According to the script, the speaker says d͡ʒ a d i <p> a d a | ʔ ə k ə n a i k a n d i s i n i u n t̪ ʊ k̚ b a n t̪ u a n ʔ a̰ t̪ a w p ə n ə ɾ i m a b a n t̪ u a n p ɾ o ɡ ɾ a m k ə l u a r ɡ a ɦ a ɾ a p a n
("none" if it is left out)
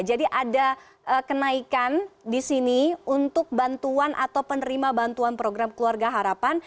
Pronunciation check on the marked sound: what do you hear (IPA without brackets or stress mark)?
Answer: ʔ